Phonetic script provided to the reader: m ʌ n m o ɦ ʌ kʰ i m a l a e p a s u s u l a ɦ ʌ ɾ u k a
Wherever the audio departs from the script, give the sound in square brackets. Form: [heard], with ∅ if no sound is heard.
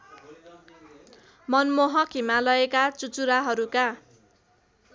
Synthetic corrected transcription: m ʌ n m o ɦ ʌ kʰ i m a l [ʌ] e [k] a [t͡s] u [t͡s] u [ɾ] a ɦ ʌ ɾ u k a